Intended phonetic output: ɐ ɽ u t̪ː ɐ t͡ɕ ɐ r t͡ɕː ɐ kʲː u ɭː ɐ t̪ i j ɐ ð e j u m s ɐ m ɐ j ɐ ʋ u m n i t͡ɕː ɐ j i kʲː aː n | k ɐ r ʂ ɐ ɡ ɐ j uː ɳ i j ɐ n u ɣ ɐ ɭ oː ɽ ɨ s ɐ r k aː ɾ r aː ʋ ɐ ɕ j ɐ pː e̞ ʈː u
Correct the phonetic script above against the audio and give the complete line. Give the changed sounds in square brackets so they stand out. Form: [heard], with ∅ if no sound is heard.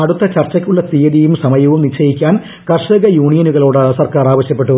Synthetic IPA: ɐ ɽ u t̪ː ɐ t͡ɕ ɐ r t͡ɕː ɐ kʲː u ɭː ɐ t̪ i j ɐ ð [i] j u m s ɐ m ɐ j ɐ ʋ u m n i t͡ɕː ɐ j i kʲː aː n | k ɐ r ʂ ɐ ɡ ɐ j uː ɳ i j ɐ n u ɣ ɐ ɭ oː ɽ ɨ s ɐ r k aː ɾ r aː ʋ ɐ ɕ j ɐ pː e̞ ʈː u